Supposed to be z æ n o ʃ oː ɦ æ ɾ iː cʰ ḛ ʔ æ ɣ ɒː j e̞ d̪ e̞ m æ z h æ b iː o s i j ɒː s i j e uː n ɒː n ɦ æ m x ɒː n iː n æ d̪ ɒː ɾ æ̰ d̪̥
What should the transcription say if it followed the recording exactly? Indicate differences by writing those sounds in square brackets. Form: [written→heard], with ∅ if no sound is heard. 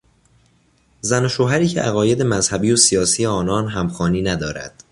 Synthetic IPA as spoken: z æ n o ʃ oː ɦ æ ɾ iː cʰ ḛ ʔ æ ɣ ɒː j e̞ d̪ e̞ m æ z h æ b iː o s i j ɒː s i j e [uː→ɒː] n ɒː n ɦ æ m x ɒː n iː n æ d̪ ɒː ɾ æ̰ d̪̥